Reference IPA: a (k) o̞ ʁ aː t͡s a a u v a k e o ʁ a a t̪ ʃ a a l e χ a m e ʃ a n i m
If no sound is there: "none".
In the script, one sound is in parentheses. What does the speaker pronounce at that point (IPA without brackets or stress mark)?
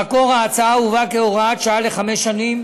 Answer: k